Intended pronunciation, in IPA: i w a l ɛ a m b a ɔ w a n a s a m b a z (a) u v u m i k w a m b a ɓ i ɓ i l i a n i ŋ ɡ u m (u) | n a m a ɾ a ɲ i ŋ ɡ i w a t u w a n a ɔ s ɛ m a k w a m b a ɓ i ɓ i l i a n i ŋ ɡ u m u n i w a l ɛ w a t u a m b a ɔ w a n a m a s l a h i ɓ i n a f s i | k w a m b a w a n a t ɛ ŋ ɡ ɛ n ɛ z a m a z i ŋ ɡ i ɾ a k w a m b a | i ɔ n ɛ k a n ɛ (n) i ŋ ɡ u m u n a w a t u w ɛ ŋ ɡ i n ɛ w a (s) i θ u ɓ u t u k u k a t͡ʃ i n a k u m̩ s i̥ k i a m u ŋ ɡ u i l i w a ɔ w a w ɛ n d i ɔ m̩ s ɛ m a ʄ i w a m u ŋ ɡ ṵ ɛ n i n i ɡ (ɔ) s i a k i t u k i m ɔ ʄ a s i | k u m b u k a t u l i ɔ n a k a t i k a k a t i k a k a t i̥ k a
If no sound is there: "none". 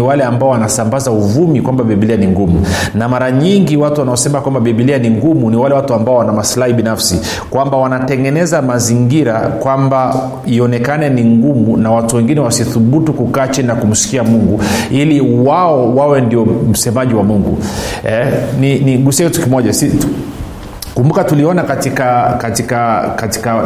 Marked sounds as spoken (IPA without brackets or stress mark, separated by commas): a, u, n, s, u